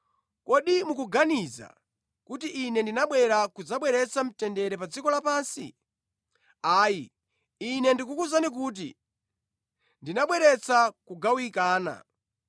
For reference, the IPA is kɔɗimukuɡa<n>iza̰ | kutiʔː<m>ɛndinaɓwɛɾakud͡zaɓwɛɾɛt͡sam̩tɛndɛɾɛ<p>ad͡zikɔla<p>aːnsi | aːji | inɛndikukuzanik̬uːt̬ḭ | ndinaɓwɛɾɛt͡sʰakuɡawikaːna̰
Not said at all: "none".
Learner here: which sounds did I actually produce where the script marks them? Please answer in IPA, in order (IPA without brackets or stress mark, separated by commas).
n, n, p, p